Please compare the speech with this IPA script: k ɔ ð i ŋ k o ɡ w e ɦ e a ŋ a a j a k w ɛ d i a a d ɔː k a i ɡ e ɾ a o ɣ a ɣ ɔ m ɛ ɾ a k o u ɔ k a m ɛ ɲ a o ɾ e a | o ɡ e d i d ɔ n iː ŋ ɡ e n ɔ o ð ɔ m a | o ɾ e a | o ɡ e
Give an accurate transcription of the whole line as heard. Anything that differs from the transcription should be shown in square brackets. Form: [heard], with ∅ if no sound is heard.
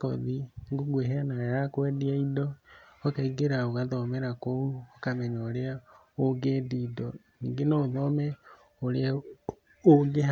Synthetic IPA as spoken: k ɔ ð i ŋ [ɡ] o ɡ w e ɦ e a [n] a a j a k w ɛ d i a [i] d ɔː k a i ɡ e ɾ a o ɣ a [ð] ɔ m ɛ ɾ a k o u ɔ k a m ɛ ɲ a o ɾ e a | o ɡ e d i d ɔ n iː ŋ ɡ e n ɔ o ð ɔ m [ɛ] | o ɾ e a | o ɡ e